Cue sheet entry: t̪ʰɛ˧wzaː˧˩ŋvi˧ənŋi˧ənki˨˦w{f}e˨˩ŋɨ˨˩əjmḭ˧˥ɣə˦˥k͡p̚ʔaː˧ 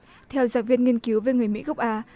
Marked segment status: incorrect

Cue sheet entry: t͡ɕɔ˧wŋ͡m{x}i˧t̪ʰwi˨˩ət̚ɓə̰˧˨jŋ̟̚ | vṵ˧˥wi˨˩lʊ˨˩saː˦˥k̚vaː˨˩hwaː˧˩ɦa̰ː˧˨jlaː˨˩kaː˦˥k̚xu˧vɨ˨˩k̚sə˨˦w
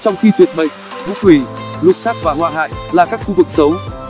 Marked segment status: correct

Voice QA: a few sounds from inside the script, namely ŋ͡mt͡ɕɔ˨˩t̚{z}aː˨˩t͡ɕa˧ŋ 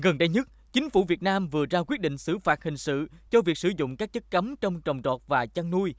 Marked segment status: incorrect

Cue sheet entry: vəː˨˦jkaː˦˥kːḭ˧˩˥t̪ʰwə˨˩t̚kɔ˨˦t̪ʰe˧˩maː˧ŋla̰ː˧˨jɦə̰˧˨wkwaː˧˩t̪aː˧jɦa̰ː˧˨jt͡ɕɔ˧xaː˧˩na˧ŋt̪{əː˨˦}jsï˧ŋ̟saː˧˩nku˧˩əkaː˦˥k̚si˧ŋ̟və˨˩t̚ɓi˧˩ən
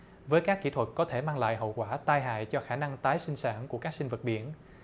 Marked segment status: incorrect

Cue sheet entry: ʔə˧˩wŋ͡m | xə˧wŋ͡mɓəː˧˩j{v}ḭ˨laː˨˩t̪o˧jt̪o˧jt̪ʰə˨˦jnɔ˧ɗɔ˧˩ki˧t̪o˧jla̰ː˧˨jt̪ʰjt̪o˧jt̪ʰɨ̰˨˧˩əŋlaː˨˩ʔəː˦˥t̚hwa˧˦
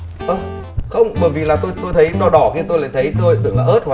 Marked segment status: correct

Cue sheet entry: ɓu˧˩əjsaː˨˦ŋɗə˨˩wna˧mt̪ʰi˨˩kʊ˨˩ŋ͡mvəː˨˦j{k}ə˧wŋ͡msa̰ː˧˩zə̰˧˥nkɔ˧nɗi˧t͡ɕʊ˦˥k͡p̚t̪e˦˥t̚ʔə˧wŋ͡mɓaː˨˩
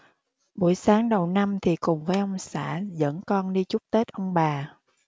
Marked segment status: incorrect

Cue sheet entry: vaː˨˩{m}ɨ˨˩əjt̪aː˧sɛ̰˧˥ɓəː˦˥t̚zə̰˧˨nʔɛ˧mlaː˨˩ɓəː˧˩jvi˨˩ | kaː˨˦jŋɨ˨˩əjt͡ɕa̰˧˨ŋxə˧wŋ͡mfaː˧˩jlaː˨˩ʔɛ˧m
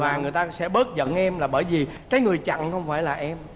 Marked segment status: incorrect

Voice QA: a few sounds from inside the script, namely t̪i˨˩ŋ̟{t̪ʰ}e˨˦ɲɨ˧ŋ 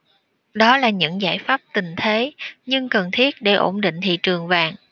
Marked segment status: correct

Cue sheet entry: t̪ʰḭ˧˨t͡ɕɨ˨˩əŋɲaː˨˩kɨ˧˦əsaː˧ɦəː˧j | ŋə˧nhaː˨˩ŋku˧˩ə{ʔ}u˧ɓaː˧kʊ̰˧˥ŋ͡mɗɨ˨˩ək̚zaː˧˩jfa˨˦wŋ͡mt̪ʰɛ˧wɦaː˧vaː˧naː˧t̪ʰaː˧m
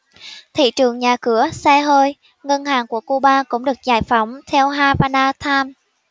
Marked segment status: incorrect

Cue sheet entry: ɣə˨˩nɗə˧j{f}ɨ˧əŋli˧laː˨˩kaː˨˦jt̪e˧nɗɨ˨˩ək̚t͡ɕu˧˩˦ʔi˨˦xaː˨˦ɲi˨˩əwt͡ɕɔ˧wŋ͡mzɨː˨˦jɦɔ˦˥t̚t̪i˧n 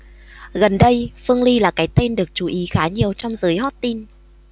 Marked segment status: correct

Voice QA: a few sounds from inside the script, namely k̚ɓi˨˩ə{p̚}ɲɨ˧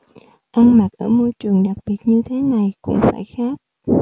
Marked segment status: incorrect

